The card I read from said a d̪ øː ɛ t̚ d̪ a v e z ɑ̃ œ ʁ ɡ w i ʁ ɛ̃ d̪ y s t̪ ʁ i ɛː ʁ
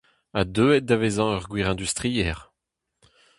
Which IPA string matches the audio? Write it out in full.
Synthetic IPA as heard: a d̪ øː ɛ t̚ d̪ a v e z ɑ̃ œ ʁ ɡ w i ʁ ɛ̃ d̪ y s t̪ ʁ i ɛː ʁ